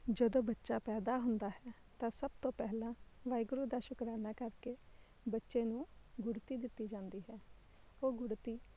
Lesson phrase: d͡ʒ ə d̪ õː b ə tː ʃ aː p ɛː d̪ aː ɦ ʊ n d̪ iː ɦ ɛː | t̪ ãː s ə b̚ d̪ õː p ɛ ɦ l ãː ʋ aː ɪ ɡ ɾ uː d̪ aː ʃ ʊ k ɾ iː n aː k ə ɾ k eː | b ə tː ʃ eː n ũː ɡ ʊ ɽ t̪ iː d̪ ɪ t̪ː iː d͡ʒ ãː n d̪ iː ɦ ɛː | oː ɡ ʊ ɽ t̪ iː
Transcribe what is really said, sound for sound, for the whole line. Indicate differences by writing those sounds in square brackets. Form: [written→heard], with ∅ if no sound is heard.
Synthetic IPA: d͡ʒ ə d̪ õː b ə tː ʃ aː p ɛː d̪ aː ɦ ʊ n d̪ [iː→aː] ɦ ɛː | t̪ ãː s ə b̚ [d̪→t̪] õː p ɛ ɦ l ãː ʋ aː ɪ ɡ ɾ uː d̪ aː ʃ ʊ k ɾ [iː→aː] n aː k ə ɾ k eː | b ə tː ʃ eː n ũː ɡ ʊ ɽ t̪ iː d̪ ɪ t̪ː iː d͡ʒ ãː n d̪ iː ɦ ɛː | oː ɡ ʊ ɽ t̪ iː